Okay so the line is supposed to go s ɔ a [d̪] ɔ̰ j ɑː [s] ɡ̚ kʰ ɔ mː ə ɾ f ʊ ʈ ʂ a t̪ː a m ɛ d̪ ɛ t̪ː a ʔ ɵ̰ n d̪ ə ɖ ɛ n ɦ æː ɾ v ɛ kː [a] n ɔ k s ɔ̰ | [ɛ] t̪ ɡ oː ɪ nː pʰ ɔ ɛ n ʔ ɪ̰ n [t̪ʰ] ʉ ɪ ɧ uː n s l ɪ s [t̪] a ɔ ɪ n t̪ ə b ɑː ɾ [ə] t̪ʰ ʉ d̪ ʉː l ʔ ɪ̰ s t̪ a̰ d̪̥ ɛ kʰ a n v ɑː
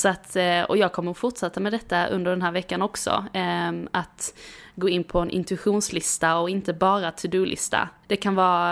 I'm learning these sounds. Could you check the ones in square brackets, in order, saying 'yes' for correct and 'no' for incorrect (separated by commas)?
no, no, yes, no, no, yes, no